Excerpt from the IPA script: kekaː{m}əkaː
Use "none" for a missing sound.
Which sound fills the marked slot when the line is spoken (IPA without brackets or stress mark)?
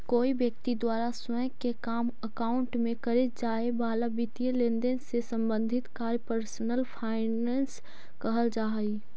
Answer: m